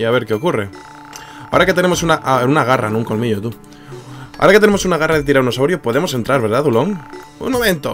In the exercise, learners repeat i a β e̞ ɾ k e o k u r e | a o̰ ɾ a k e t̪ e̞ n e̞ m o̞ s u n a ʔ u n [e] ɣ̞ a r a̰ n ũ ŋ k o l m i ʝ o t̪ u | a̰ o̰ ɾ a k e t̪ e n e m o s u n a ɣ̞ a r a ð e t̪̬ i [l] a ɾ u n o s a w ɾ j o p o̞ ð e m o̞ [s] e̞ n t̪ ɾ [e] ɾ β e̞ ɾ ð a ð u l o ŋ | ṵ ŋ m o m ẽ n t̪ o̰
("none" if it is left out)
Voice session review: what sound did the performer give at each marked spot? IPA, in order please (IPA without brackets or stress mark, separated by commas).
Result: a, ɾ, s, a